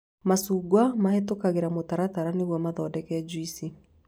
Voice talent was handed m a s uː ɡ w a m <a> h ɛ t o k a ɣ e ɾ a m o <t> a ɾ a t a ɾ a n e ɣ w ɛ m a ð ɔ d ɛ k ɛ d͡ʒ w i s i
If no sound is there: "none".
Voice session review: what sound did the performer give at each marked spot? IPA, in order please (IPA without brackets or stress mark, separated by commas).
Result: a, t